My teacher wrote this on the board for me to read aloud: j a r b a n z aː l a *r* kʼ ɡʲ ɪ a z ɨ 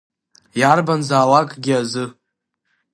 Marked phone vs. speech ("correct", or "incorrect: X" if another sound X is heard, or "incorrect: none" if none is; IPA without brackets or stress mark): incorrect: none